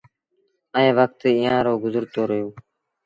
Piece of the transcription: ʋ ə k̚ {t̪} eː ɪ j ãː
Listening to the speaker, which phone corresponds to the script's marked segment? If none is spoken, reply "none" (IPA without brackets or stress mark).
t̪